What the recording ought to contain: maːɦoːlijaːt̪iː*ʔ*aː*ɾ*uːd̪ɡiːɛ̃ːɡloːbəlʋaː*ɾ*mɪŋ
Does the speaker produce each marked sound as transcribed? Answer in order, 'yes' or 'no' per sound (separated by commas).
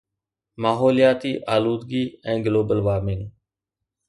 yes, no, yes